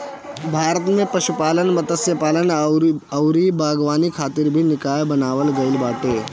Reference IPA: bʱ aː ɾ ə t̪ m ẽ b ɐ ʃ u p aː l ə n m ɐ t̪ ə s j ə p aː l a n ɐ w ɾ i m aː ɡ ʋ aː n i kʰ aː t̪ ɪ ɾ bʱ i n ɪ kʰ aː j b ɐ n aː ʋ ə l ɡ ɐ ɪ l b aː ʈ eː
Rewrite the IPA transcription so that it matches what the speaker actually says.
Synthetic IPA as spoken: bʱ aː ɾ ə t̪ m ẽ p ɐ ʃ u p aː l ə n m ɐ t̪ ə s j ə p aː l ə n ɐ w ɾ i b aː ɡ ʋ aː n i kʰ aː t̪ ɪ ɾ bʱ i n ɪ k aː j b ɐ n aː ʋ ə l ɡ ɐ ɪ l b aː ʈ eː